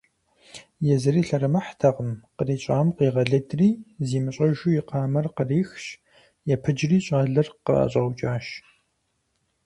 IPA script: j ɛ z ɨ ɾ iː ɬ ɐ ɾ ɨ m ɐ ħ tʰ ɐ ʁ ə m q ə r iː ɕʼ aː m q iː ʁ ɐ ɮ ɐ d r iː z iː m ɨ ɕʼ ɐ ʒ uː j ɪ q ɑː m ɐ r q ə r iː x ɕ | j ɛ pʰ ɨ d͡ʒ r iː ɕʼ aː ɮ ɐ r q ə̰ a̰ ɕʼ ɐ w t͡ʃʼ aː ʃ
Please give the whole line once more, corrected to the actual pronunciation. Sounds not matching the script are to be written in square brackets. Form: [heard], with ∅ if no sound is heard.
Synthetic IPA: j ɛ z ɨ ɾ iː ɬ ɐ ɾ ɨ m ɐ ħ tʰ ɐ ʁ ə m q ə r iː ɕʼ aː m q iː ʁ ɐ ɮ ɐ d r iː z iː m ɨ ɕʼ ɐ ʒ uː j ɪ q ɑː m ɐ r q ə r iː x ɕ | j ɛ pʰ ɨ d͡ʒ r iː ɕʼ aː ɮ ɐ r q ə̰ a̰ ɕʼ ɐ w t͡ʃʼ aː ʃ